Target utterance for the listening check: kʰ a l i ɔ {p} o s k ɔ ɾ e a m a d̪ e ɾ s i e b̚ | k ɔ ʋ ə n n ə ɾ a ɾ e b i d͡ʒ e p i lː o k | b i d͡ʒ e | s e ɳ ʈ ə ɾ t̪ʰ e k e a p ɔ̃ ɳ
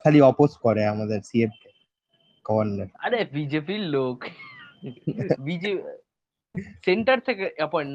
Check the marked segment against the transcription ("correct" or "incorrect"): correct